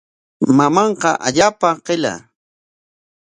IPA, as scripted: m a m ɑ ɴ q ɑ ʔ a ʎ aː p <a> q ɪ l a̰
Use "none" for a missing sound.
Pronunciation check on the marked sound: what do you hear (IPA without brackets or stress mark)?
a